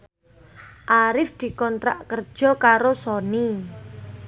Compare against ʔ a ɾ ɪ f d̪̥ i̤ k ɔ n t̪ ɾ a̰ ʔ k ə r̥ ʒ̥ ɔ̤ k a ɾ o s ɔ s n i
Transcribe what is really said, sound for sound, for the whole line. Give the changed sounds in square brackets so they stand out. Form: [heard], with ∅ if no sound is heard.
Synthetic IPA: ʔ a ɾ ɪ f d̪̥ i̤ k ɔ n t̪ ɾ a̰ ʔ k ə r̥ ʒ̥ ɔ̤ k a ɾ o s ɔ [∅] n i

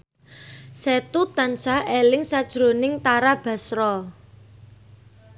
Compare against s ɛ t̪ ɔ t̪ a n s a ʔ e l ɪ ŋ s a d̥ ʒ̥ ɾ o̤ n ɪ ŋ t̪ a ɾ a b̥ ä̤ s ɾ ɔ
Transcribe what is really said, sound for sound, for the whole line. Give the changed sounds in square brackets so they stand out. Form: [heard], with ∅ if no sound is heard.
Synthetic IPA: s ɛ t̪ [u] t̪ a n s a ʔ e l ɪ ŋ s a d̥ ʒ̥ ɾ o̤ n ɪ ŋ t̪ a ɾ a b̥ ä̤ s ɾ ɔ

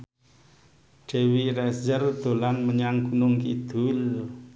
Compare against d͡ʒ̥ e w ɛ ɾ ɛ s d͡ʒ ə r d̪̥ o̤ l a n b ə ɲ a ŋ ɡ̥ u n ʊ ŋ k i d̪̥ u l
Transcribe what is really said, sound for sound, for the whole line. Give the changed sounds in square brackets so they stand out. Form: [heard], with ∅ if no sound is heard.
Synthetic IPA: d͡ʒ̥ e w [i] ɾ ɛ s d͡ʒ ə r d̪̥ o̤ l a n [m] ə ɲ a ŋ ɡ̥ u n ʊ ŋ k i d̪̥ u l

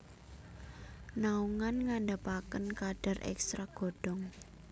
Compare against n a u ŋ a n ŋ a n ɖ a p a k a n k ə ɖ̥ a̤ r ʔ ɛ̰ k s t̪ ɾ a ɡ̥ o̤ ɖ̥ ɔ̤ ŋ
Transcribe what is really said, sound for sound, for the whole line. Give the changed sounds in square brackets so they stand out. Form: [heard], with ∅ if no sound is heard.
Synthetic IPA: n a u ŋ a n ŋ a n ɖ a p a k [ə] n k [a] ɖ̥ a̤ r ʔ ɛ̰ k s t̪ ɾ a ɡ̥ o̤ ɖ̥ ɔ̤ ŋ

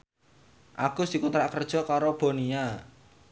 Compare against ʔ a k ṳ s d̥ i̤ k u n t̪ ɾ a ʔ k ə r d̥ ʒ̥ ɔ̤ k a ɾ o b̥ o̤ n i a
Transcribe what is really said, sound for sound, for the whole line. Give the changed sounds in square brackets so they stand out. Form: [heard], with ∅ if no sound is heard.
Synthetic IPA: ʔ a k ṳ s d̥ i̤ k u n t̪ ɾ a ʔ k ə r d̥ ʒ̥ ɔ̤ k a ɾ o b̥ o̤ n i a

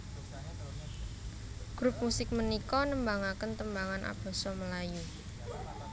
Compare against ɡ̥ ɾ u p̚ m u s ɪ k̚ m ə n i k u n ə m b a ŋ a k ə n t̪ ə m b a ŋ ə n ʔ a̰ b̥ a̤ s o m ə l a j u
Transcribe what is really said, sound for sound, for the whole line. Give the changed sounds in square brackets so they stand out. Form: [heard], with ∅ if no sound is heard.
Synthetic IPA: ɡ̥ ɾ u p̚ m u s ɪ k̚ m ə n i k [ɔ] n ə m b a ŋ a k ə n t̪ ə m b a ŋ [a] n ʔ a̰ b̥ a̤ s [ɔ] m ə l a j u

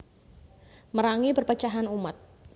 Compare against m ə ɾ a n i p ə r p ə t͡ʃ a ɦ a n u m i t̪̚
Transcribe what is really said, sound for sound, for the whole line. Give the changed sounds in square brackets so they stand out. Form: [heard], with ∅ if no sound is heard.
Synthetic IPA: m ə ɾ a [ŋ] i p ə r p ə t͡ʃ a ɦ a n u m [a] t̪̚

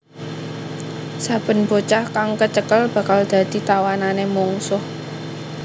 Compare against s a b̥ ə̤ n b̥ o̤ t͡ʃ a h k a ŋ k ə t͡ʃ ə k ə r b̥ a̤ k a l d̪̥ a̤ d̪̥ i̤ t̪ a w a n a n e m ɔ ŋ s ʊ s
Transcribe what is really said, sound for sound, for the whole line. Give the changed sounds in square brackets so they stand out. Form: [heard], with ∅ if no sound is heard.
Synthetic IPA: s a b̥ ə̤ n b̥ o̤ t͡ʃ a h k a ŋ k ə t͡ʃ ə k ə [l] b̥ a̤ k a l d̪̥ a̤ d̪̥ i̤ t̪ a w a n a n e m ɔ ŋ s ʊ [h]

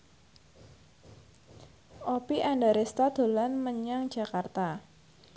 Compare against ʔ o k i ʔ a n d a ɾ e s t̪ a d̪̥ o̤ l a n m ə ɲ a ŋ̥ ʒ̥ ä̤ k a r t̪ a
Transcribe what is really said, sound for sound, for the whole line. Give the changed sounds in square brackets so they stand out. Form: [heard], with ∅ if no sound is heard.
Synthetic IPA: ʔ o [p] i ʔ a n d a ɾ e s t̪ a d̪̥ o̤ l a n m ə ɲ a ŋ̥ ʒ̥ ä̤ k a r t̪ a

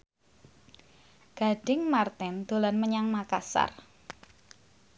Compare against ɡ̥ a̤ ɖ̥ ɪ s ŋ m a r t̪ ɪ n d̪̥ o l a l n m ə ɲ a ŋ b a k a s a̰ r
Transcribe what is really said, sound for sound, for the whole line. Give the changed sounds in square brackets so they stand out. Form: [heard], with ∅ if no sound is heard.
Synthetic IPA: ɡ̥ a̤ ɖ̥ ɪ [∅] ŋ m a r t̪ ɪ n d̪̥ o l a [∅] n m ə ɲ a ŋ [m] a k a s a̰ r

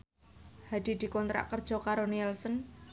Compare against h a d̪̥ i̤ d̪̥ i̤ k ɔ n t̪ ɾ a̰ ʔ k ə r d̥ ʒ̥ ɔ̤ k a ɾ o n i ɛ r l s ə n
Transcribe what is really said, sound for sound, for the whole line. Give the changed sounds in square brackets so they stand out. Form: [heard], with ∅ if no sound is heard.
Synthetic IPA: h a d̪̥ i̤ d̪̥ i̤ k ɔ n t̪ ɾ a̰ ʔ k ə r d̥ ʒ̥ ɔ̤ k a ɾ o n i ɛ [∅] l s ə n

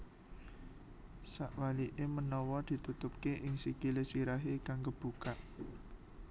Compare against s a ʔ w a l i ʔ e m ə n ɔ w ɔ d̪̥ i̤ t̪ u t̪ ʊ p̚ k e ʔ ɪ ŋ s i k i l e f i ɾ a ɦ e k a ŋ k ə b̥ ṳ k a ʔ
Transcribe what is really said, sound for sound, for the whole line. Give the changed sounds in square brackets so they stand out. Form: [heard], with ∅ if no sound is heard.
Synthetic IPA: s a ʔ w a l i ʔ e m ə n ɔ w ɔ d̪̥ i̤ t̪ u t̪ ʊ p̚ k e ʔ ɪ ŋ s i k i l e [s] i ɾ a ɦ e k a ŋ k ə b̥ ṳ k a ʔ

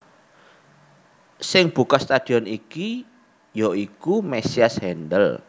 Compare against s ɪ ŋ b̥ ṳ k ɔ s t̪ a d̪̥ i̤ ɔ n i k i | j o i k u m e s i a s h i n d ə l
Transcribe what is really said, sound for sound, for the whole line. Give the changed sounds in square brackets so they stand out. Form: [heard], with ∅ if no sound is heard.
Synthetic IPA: s ɪ ŋ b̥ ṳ k ɔ s t̪ a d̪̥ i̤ ɔ n i k i | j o i k u m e s i a s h [ɛ] n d ə l

